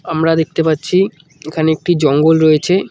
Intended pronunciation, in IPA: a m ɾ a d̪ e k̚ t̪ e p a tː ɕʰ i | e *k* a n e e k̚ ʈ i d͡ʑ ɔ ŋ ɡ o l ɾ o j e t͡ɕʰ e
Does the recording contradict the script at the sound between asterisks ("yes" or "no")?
yes